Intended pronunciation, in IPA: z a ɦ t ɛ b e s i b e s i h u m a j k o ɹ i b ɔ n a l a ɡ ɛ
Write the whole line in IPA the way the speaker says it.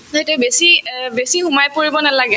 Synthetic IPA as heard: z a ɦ t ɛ b e s i b e s i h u m a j p o ɹ i b ɔ n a l a ɡ ɛ